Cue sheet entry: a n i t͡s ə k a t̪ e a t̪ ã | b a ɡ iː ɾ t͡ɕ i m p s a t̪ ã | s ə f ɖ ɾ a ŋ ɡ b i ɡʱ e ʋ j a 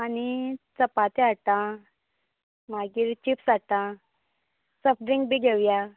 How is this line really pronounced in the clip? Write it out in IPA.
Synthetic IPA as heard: a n i t͡s ə p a t̪ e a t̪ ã | m a ɡ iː ɾ t͡ɕ i p s a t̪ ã | s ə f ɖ ɾ i ŋ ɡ b i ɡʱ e ʋ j a

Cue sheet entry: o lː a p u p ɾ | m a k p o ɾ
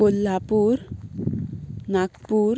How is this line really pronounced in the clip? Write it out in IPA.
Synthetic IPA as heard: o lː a p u ɾ | n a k p u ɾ

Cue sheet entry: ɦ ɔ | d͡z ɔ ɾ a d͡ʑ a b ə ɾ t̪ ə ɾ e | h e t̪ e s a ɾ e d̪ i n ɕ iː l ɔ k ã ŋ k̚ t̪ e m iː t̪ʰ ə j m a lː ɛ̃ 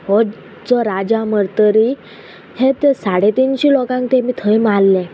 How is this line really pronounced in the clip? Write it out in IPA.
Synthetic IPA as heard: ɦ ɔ | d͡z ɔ ɾ a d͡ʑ a m ə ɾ t̪ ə ɾ i | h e t̪ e s a ɽ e t̪ i n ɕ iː l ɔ k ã ŋ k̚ t̪ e m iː t̪ʰ ə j m a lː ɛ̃

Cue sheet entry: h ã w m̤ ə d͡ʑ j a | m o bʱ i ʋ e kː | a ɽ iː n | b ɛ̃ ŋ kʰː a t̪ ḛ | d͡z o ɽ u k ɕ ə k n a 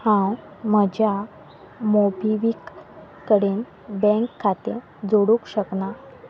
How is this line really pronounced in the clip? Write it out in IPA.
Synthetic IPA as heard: h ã w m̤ ə d͡ʑ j a | m o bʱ i ʋ i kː | ə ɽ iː n | b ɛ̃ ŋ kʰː a t̪ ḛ | d͡z o ɽ u k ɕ ə k n a

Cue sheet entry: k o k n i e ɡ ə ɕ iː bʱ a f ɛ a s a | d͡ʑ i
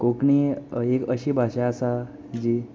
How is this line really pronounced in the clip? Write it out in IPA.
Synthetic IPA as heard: k o k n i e k ə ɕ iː bʱ a ɕ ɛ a s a | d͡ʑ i

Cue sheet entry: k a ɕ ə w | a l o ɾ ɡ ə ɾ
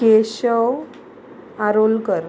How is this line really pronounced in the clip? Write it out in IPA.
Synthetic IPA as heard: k e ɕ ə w | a ɾ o l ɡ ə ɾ

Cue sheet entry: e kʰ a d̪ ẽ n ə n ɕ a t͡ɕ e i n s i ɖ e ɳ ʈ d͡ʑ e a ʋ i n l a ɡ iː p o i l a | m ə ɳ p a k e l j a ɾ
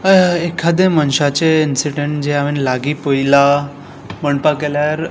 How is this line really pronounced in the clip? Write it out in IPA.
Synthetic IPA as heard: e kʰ a d̪ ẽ m ə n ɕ a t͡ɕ e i n s i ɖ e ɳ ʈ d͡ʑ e a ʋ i n l a ɡ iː p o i l a | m ə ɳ p a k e l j a ɾ

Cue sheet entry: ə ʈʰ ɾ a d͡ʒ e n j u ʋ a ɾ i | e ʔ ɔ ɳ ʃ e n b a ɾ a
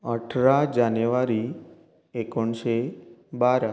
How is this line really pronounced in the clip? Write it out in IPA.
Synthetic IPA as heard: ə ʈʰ ɾ a d͡ʒ a n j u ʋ a ɾ i | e k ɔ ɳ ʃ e b a ɾ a

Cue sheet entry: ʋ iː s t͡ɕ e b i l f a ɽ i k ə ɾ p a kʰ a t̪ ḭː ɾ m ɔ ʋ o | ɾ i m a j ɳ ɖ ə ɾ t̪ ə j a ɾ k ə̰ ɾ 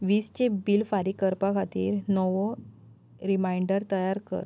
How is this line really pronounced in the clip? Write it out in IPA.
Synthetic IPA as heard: ʋ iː s t͡ɕ e b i l f a ɾ i k ə ɾ p a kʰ a t̪ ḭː ɾ n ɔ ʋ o | ɾ i m a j ɳ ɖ ə ɾ t̪ ə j a ɾ k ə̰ ɾ

